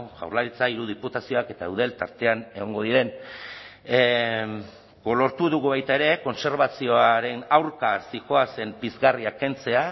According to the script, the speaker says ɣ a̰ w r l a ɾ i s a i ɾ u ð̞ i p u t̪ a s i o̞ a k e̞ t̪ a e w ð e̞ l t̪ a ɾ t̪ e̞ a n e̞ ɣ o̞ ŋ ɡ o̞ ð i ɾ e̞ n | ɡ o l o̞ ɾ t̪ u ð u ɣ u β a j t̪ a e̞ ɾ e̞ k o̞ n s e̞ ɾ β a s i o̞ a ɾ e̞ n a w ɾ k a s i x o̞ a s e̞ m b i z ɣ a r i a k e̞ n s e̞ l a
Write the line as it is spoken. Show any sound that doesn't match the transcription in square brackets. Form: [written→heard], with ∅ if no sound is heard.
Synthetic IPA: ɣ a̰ w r l a ɾ i [s→t͡s] a i ɾ u ð̞ i p u t̪ a s i o̞ a k e̞ t̪ a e w ð e̞ l t̪ a ɾ t̪ e̞ a n e̞ ɣ o̞ ŋ ɡ o̞ ð i ɾ e̞ n | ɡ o l o̞ ɾ t̪ u ð u ɣ u β a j t̪ a e̞ ɾ e̞ k o̞ n s e̞ ɾ β a s i o̞ a ɾ e̞ n a w ɾ k a s i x o̞ a s e̞ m b i z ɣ a r i a k e̞ n [s→t͡s] e̞ [l→∅] a